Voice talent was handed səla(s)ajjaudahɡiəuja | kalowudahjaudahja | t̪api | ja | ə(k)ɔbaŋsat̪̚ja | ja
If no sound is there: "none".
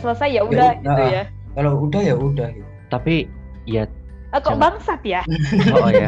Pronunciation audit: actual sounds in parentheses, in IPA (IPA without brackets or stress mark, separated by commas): s, k